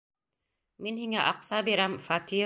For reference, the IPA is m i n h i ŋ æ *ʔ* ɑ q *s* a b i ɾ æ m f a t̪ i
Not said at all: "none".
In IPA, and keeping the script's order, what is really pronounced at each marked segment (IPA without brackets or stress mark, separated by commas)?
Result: ʔ, s